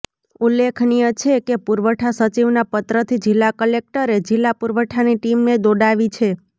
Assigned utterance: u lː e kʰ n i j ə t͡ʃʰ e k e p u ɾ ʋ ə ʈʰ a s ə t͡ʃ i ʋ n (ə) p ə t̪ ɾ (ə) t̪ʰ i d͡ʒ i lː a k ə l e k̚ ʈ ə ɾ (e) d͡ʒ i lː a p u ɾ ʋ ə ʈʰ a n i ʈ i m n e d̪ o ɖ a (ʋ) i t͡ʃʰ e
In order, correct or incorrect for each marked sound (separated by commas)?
incorrect, correct, correct, correct